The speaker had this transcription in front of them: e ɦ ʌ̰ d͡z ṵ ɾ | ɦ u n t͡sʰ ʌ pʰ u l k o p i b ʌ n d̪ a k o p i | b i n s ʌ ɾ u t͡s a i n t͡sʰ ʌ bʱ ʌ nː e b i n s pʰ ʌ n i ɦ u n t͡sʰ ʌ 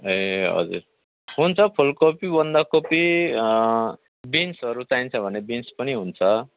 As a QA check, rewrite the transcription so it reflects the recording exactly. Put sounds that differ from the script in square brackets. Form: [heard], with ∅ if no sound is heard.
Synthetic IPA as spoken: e ɦ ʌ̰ d͡z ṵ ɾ | ɦ u n t͡sʰ ʌ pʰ u l k o p i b ʌ n d̪ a k o p i | b i n s ʌ ɾ u t͡s a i n t͡sʰ ʌ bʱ ʌ [n] e b i n s [p] ʌ n i ɦ u n t͡sʰ ʌ

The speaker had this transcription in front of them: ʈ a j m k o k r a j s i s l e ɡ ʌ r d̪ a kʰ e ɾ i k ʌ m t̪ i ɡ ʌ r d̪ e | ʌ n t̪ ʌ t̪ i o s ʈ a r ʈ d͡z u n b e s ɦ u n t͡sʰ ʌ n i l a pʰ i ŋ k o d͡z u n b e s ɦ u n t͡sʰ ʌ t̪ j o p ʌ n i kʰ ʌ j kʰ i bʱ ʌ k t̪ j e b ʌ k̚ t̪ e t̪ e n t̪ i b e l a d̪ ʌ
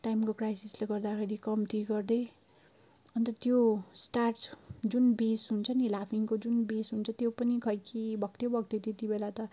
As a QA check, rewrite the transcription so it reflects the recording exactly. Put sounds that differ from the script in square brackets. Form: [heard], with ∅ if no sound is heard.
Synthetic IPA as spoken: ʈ a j m k o k r a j s i s l e ɡ ʌ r d̪ a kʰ e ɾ i k ʌ m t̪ i ɡ ʌ r d̪ e | ʌ n t̪ ʌ t̪ [j] o s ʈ a r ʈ d͡z u n b e s ɦ u n t͡sʰ ʌ n i l a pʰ i ŋ k o d͡z u n b e s ɦ u n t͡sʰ ʌ t̪ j o p ʌ n i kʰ ʌ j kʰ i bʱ ʌ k t̪ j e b ʌ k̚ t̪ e t̪ e [∅] t̪ i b e l a [t̪] ʌ

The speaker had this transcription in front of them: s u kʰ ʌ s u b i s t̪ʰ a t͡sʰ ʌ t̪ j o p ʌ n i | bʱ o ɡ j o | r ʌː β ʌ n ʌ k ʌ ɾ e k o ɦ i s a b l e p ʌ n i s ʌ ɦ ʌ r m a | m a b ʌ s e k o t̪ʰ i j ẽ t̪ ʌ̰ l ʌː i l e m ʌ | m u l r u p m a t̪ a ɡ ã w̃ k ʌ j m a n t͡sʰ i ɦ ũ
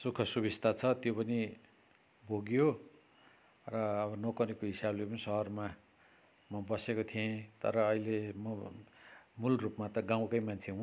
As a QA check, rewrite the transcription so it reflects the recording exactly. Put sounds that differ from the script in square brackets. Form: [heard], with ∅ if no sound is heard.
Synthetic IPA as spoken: s u kʰ ʌ s u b i s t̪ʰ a t͡sʰ ʌ t̪ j o p ʌ n i | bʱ o ɡ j o | r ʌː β ʌ n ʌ k ʌ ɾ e k o ɦ i s a b l e p ʌ n i s ʌ ɦ ʌ r m a | m [ʌ] b ʌ s e k o t̪ʰ i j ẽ t̪ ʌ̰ [ɾ] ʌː i l e m ʌ | m u l r u p m a t̪ [ʌ] ɡ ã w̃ k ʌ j m a n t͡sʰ [e] ɦ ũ

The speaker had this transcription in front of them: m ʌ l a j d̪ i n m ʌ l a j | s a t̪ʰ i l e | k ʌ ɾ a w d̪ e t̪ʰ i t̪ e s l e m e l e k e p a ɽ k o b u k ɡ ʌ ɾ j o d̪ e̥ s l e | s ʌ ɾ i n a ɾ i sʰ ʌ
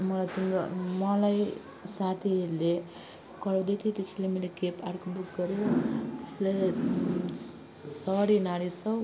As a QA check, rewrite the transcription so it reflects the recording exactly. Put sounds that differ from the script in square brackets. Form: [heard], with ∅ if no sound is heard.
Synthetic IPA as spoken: m ʌ l a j [t̪] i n m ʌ l a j | s a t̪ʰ i l e | k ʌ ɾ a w d̪ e t̪ʰ i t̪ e s l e m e l e k e p a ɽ k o b u k ɡ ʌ ɾ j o [t̪] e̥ s l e | s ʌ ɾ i n a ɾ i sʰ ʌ

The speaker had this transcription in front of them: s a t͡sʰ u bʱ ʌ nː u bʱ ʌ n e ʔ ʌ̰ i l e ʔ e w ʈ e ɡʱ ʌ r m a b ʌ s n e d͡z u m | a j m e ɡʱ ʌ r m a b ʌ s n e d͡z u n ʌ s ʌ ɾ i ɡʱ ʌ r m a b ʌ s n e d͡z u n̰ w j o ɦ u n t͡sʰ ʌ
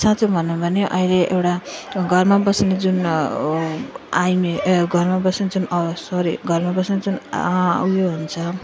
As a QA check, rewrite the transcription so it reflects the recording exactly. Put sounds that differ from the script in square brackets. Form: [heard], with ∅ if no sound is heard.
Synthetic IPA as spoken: s a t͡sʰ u bʱ ʌ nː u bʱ ʌ n e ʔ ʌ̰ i l e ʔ e w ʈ [a] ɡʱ ʌ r m a b ʌ s n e d͡z u [n] | a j m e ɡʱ ʌ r m a b ʌ s n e d͡z u n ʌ s ʌ ɾ i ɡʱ ʌ r m a b ʌ s n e d͡z u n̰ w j o ɦ u n t͡sʰ ʌ

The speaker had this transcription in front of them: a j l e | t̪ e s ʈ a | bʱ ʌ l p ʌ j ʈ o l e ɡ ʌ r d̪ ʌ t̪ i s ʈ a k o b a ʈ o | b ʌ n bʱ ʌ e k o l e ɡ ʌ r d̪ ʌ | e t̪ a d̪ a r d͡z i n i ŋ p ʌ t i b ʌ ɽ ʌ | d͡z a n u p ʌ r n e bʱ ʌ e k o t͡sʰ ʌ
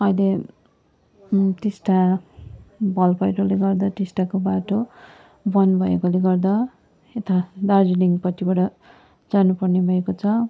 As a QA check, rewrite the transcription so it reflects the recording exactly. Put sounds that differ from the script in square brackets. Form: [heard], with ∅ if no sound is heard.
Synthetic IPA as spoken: [ʌ] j l e | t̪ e s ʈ a | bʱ ʌ l p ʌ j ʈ o l e ɡ ʌ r d̪ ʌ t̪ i s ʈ a k o b a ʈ o | b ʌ n bʱ ʌ e k o l e ɡ ʌ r d̪ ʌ | e t̪ a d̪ a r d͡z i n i ŋ p ʌ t i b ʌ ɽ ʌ | d͡z a n u p ʌ r n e bʱ ʌ e k o t͡sʰ ʌ

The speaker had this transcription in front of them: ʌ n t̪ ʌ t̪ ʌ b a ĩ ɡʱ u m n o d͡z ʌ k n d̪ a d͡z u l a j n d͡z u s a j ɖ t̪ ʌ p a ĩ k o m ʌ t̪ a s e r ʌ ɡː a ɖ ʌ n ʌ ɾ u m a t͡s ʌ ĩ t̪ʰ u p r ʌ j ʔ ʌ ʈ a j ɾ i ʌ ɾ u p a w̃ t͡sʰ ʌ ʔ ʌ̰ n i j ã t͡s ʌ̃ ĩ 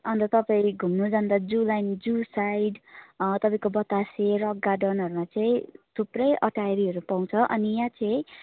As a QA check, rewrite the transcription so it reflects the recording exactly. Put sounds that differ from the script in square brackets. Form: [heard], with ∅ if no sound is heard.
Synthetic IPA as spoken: ʌ n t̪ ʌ t̪ ʌ [p] a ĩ ɡʱ u m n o d͡z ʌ [∅] n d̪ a d͡z u l a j n d͡z u s a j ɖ t̪ ʌ p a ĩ k o [b] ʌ t̪ a s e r ʌ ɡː a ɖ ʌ n ʌ ɾ u m a t͡s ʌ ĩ t̪ʰ u p r ʌ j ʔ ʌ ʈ a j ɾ i ʌ ɾ u p a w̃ t͡sʰ ʌ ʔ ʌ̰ n i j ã t͡s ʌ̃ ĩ

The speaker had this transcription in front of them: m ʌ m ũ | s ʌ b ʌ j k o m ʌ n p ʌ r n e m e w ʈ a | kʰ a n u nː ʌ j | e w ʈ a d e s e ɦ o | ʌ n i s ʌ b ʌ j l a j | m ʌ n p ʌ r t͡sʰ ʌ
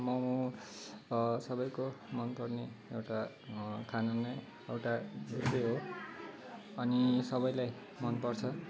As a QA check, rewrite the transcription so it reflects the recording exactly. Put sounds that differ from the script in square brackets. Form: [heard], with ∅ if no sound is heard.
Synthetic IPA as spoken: m ʌ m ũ | s ʌ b ʌ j k o m ʌ n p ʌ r n e [∅] e w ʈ a | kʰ a n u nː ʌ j | e w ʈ a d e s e ɦ o | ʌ n i s ʌ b ʌ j l a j | m ʌ n p ʌ r t͡sʰ ʌ

